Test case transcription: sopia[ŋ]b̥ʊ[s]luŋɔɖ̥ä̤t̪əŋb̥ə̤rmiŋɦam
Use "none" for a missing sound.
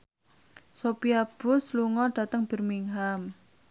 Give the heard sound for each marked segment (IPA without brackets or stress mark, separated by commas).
none, s